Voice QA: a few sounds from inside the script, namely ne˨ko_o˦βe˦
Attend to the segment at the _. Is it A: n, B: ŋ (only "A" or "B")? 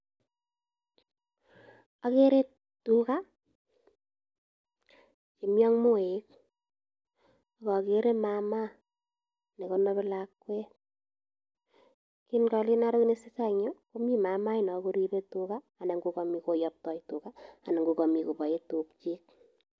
A